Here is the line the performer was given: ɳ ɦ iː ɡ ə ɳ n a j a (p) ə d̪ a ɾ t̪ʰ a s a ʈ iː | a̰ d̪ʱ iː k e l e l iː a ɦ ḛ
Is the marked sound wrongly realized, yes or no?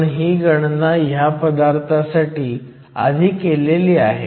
no